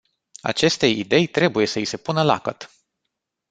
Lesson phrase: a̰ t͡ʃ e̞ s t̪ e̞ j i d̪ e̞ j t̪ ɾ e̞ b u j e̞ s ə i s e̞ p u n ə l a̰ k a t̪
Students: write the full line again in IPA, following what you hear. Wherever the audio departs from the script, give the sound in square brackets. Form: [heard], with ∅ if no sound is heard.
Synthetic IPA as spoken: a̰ t͡ʃ e̞ s t̪ e̞ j i d̪ e̞ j t̪ ɾ e̞ b u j e̞ s ə i s e̞ p u n ə l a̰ k [ə] t̪

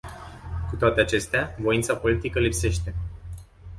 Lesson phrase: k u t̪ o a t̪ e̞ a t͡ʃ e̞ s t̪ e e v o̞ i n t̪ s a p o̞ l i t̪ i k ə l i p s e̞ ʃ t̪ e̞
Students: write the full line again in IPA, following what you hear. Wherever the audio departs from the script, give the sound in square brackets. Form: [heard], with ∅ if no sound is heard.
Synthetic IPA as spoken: k u t̪ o a t̪ e̞ a t͡ʃ e̞ s t̪ e [a] v o̞ i n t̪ s a p o̞ l i t̪ i k ə l i p s e̞ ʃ t̪ e̞

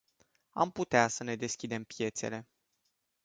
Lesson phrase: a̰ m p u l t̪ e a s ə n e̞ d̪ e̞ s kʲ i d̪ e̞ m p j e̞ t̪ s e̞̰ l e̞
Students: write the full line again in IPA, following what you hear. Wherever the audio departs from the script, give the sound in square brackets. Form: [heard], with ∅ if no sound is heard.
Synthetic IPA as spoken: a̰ m p u [∅] t̪ e a s ə n e̞ d̪ e̞ s kʲ i d̪ e̞ m p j e̞ t̪ s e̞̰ l e̞

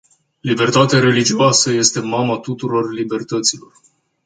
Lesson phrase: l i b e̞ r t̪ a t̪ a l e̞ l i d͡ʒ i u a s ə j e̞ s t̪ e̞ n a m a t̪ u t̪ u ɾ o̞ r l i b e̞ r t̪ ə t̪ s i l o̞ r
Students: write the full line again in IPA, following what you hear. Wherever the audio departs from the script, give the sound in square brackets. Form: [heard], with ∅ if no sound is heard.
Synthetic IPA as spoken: l i b e̞ r t̪ a t̪ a [ɾ] e̞ l i d͡ʒ i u a s ə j e̞ s t̪ e̞ [m] a m a t̪ u t̪ u ɾ o̞ r l i b e̞ r t̪ ə t̪ s i l o̞ r

